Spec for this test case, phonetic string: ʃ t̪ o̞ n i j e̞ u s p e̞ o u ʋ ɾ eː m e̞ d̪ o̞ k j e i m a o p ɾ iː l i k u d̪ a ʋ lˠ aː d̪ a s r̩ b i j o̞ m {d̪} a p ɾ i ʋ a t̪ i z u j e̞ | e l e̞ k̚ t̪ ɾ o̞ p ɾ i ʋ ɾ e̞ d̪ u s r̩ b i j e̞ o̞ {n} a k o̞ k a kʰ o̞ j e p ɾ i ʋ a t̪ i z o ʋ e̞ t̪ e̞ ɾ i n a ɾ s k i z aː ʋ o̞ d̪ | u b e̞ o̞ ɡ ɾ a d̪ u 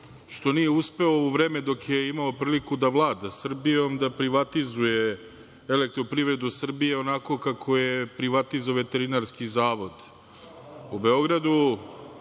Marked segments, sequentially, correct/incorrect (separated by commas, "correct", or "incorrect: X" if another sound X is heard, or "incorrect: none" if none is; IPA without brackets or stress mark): correct, correct